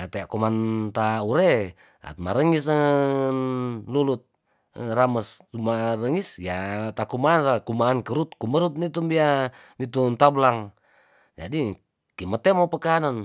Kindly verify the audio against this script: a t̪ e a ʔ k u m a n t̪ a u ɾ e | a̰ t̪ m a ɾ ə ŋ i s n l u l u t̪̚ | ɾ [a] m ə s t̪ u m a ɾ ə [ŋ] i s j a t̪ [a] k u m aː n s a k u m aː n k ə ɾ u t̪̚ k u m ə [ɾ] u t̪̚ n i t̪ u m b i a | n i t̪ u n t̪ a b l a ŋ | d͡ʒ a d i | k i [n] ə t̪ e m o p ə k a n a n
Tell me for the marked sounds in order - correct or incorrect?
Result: correct, correct, correct, correct, incorrect: m

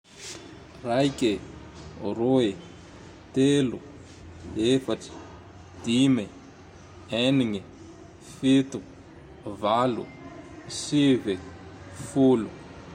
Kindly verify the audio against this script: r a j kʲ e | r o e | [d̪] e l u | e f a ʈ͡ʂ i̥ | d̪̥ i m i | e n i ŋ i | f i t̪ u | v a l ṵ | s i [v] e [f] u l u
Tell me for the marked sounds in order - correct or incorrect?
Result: incorrect: t̪, correct, correct

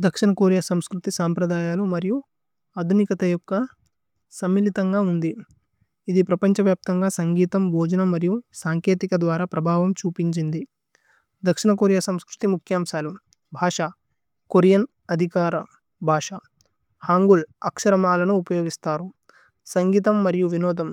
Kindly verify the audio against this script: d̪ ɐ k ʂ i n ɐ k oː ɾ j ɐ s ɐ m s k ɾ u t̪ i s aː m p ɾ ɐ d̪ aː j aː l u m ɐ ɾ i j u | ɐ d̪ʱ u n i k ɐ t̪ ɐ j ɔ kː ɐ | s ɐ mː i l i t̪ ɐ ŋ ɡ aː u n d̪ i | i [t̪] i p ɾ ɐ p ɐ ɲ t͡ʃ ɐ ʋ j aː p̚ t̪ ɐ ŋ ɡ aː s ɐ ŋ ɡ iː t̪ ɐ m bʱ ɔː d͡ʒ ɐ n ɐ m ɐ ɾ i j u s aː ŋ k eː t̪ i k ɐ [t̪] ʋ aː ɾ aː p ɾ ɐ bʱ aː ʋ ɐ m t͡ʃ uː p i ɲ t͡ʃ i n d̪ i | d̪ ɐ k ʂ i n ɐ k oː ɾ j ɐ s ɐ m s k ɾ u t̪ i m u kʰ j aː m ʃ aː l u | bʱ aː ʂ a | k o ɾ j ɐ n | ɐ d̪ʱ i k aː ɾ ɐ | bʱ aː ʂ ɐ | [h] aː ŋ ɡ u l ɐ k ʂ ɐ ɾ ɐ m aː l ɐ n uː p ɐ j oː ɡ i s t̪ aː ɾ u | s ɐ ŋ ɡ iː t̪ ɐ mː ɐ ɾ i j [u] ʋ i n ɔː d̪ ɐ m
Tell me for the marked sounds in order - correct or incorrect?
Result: incorrect: d̪, incorrect: d̪, correct, correct

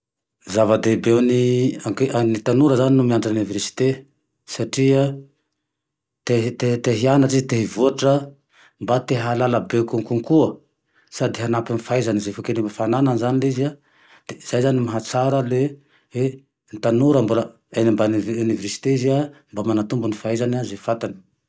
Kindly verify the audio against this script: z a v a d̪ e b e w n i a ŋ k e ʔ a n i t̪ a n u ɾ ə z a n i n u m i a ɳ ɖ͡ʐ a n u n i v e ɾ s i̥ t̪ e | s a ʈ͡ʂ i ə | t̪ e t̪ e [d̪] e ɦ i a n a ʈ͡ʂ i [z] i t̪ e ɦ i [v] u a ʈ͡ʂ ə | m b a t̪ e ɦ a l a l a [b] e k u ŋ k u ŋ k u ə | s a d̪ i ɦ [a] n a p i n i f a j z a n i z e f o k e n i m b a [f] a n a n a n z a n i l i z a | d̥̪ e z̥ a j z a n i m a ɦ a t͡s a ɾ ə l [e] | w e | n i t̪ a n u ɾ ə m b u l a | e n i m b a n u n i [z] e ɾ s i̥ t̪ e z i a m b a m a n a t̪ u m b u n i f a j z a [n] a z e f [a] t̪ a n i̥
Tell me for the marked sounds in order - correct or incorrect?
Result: incorrect: t̪, correct, correct, correct, correct, correct, correct, incorrect: v, correct, correct

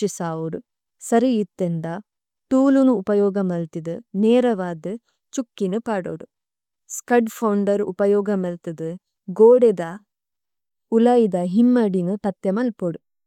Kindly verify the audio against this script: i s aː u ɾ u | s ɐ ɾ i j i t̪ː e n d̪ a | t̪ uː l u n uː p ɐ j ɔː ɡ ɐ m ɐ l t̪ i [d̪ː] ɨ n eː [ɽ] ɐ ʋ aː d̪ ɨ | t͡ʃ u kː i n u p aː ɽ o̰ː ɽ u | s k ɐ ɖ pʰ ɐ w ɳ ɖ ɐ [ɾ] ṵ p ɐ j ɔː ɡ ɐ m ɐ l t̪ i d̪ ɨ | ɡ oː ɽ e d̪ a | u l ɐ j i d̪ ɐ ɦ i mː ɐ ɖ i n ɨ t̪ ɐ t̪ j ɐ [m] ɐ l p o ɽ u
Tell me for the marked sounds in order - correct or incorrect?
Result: incorrect: d̪, incorrect: ɾ, correct, correct

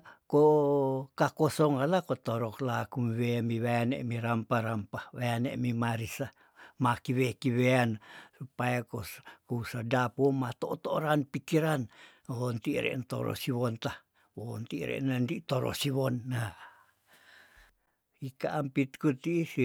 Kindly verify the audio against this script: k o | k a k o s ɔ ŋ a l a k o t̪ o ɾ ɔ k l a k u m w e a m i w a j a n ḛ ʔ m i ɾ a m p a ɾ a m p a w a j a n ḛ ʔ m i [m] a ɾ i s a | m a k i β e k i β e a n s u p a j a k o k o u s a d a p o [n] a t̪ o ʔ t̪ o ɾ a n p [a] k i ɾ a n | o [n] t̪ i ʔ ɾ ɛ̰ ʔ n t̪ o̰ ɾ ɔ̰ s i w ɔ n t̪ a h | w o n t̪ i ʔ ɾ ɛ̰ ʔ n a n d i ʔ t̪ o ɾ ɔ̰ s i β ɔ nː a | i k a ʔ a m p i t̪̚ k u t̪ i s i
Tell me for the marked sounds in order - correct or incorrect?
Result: correct, incorrect: m, incorrect: i, correct

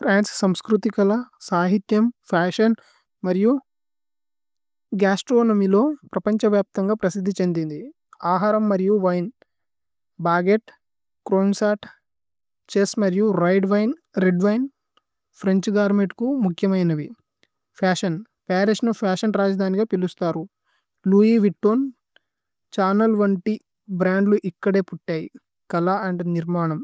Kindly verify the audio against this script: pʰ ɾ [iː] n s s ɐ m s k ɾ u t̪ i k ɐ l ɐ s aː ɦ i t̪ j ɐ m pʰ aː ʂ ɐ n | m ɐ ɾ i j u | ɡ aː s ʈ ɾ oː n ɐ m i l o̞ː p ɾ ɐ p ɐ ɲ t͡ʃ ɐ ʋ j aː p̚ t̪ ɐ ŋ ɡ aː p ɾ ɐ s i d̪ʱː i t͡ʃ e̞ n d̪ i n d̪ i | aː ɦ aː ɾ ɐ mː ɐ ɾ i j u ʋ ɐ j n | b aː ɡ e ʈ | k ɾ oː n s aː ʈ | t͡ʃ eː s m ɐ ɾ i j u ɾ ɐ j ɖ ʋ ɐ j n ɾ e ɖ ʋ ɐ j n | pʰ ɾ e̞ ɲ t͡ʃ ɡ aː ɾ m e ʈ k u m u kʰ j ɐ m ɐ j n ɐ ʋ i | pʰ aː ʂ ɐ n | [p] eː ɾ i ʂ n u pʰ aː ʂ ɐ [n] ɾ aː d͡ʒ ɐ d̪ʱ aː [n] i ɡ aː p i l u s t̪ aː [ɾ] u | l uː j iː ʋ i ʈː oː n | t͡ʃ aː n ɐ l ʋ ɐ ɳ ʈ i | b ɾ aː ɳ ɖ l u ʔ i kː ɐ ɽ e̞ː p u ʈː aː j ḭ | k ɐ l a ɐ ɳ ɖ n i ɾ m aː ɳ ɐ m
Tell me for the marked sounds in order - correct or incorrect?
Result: incorrect: aː, correct, correct, correct, correct

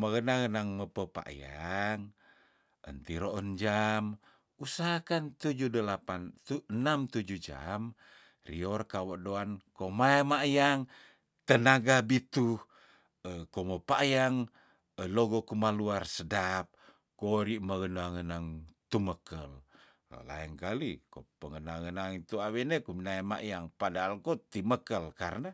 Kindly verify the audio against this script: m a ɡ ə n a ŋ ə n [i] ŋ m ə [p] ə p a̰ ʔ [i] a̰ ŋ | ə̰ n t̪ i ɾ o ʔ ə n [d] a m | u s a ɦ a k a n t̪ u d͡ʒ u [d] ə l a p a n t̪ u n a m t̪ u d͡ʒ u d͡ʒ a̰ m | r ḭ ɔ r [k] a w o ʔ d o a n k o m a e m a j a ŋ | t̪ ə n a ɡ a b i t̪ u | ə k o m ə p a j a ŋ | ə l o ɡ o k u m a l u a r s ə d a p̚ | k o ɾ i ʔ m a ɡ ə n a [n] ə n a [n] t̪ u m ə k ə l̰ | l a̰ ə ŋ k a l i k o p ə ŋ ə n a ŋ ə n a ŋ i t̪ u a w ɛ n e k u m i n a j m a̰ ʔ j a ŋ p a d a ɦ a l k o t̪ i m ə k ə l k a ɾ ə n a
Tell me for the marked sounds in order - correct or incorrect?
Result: incorrect: a, correct, incorrect: j, incorrect: d͡ʒ, correct, correct, incorrect: ŋ, incorrect: ŋ

